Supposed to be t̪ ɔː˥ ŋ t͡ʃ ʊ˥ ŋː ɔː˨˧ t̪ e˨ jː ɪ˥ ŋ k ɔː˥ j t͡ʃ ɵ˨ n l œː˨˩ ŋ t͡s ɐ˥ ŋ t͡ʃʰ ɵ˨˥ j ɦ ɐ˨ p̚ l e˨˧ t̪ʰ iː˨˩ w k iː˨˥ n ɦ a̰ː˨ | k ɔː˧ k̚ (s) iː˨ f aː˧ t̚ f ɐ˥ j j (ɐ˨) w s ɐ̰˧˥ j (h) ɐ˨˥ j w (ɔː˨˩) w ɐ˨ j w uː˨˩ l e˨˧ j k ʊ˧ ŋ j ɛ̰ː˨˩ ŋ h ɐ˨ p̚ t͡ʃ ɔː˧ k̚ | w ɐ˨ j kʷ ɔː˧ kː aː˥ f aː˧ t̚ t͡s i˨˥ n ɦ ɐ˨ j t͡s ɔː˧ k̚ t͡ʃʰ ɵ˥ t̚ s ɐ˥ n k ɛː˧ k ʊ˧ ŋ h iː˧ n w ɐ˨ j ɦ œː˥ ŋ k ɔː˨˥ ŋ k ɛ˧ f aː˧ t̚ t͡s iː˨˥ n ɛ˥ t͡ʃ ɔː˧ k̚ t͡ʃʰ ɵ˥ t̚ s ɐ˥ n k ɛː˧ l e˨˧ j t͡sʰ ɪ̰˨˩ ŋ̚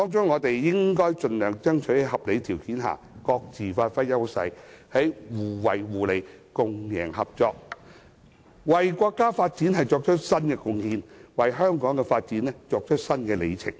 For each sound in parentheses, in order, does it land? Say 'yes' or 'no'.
no, no, yes, no

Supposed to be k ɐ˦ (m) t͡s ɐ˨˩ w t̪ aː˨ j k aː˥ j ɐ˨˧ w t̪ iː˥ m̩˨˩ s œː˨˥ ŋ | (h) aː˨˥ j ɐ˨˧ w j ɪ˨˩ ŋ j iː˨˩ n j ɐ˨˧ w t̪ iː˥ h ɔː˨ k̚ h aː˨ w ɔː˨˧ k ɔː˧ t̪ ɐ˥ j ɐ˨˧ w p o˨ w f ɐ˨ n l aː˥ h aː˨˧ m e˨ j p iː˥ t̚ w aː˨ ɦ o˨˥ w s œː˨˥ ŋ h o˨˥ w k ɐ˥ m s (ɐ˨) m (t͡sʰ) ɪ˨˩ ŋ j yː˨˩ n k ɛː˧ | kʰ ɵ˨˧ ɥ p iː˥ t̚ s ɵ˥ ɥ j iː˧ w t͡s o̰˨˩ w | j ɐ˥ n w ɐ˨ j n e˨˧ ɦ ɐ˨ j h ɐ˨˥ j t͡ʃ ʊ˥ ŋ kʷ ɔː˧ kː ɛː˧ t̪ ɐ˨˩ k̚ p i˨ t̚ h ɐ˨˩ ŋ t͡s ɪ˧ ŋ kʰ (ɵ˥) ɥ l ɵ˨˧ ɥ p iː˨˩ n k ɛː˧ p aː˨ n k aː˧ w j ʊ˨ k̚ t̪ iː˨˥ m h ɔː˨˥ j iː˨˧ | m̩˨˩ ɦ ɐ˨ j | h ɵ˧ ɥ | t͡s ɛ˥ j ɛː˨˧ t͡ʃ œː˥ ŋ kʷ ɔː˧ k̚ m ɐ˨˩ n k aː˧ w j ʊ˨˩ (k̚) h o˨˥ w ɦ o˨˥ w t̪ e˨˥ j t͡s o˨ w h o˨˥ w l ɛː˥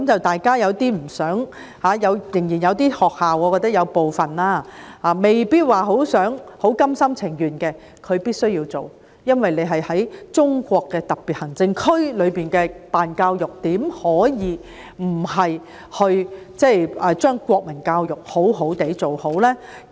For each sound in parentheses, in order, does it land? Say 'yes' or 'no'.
yes, yes, no, yes, yes, yes

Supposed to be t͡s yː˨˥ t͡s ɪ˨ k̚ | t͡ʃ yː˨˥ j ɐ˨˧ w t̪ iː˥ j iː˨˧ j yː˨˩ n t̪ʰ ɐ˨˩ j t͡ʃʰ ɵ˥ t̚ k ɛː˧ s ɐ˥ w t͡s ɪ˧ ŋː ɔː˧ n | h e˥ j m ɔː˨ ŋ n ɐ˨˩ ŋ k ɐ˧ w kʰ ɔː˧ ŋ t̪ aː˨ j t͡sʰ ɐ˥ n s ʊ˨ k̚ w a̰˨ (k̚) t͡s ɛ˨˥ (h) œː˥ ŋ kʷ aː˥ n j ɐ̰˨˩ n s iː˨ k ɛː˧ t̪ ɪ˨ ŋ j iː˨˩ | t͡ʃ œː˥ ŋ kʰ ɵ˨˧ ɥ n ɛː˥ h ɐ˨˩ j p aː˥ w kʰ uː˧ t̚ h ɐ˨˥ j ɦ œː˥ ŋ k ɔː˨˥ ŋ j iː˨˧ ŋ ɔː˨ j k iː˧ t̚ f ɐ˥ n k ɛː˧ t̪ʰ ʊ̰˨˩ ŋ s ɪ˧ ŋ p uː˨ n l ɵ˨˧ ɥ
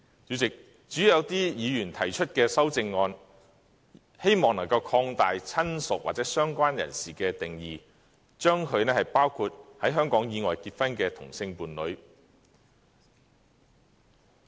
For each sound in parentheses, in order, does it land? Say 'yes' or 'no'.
no, no

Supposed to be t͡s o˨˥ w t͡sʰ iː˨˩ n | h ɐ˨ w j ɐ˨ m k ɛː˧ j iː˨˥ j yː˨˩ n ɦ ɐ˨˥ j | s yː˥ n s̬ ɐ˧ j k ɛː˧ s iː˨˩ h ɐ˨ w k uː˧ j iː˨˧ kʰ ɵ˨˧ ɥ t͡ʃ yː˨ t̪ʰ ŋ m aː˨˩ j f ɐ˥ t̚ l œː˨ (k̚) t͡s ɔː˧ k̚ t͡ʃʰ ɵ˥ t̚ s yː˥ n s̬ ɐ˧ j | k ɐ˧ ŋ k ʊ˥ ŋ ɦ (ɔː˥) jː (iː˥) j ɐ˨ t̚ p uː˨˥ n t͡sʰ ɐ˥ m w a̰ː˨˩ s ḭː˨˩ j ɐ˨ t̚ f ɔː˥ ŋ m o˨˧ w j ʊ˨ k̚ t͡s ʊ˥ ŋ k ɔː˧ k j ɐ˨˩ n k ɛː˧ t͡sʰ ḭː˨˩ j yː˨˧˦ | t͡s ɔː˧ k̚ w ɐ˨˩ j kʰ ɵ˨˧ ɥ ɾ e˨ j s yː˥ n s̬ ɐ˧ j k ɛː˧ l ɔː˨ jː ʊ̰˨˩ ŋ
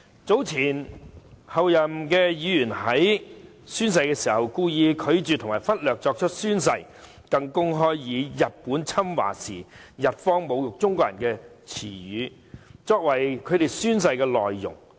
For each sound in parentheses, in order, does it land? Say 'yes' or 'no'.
yes, yes, no

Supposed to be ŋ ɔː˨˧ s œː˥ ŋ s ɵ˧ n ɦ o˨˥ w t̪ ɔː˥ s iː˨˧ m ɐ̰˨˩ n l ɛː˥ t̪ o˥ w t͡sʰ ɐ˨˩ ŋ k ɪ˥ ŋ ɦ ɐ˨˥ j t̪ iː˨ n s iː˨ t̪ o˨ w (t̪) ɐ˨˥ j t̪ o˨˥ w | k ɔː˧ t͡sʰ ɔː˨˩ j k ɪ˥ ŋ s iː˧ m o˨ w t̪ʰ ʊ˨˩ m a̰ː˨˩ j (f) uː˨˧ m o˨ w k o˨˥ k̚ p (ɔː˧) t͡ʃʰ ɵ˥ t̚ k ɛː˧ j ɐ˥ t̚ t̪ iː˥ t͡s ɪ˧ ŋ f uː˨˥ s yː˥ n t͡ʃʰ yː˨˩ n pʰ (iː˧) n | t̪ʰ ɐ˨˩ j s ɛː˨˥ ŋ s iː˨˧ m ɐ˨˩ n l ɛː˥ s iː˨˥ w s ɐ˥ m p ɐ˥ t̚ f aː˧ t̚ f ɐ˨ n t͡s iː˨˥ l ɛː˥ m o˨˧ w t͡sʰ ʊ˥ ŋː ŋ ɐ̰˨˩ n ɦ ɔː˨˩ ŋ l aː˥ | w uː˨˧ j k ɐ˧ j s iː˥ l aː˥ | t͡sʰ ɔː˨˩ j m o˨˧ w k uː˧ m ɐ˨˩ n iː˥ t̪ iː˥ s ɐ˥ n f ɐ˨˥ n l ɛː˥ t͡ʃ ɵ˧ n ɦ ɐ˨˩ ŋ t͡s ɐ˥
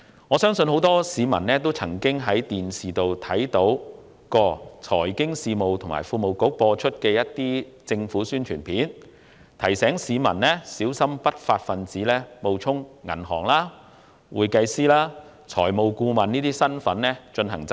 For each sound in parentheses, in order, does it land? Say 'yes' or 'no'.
no, yes, yes, no

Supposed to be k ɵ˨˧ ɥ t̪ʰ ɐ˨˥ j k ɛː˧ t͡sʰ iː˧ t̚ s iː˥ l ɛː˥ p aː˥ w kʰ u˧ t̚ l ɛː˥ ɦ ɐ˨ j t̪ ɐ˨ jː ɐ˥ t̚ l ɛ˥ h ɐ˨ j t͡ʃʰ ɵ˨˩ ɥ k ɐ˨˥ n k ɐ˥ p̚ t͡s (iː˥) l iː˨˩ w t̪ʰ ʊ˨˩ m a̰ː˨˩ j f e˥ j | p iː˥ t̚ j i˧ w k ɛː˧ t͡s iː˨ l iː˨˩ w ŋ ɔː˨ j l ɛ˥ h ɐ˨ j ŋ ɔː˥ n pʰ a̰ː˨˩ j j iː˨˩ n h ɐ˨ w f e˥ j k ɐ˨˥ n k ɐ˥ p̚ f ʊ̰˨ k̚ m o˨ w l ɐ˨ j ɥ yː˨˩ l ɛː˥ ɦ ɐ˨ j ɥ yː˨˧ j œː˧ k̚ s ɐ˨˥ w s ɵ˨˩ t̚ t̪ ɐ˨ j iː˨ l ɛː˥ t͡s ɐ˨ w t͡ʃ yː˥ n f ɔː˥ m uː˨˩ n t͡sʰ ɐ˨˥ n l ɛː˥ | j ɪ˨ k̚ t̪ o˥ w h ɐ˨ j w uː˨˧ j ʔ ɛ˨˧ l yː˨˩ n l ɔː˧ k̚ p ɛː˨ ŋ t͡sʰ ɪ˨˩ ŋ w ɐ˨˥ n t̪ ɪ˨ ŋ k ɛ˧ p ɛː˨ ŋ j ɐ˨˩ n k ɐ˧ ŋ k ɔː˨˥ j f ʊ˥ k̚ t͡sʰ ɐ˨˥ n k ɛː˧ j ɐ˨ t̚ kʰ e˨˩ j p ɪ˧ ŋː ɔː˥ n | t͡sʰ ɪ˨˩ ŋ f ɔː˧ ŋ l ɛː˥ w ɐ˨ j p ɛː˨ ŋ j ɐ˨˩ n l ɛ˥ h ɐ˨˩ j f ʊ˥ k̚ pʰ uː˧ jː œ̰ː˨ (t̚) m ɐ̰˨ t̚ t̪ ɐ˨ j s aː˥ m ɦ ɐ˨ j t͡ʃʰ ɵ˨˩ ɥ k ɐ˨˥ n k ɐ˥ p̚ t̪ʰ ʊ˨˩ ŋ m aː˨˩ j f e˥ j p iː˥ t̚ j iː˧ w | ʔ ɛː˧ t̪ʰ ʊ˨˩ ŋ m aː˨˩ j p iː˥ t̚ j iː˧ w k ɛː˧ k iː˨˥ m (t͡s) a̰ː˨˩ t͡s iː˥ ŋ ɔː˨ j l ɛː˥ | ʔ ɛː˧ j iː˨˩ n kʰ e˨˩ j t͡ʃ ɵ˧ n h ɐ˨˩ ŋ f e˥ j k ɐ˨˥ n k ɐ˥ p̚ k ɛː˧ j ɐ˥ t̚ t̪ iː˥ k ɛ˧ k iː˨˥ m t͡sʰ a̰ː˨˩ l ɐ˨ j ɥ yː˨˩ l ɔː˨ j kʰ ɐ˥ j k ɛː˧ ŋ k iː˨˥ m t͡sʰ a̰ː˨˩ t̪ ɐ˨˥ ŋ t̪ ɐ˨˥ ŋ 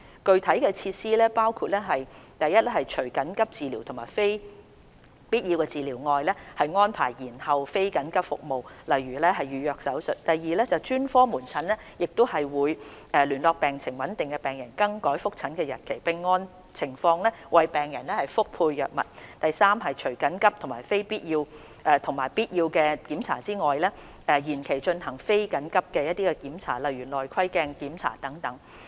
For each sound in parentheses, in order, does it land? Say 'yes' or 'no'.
no, no, no

